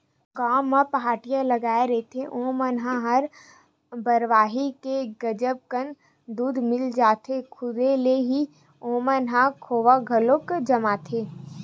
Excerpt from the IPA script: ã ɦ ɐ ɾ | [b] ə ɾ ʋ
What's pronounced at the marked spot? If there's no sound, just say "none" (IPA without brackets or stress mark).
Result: b